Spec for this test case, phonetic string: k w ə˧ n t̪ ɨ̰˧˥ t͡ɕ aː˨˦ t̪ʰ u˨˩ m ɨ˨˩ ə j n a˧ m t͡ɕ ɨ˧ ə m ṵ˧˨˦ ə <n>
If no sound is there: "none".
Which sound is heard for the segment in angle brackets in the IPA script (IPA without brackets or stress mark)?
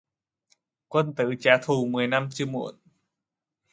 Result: n